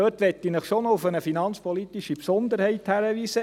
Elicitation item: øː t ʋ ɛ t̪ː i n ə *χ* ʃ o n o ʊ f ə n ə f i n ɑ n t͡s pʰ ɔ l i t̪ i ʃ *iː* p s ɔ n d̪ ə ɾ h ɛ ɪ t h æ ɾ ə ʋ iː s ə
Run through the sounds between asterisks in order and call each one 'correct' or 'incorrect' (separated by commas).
correct, incorrect